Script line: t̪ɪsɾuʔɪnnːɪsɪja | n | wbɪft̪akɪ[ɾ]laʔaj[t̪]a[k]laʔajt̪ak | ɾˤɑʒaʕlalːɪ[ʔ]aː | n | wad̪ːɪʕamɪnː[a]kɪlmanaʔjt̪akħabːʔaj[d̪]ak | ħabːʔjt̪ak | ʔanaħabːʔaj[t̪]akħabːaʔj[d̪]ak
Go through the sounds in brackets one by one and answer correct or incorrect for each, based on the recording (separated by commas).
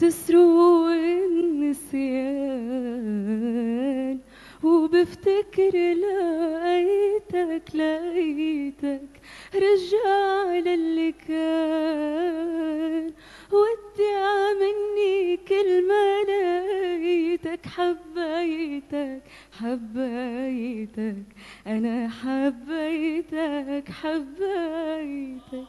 correct, correct, correct, incorrect, incorrect, incorrect, correct, incorrect